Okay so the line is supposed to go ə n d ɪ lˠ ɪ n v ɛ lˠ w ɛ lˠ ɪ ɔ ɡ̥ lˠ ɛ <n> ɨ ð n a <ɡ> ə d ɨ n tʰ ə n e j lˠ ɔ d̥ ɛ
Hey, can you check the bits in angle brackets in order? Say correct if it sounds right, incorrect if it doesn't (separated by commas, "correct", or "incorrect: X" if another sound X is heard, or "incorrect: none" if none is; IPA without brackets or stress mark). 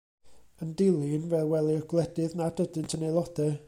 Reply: incorrect: d, incorrect: d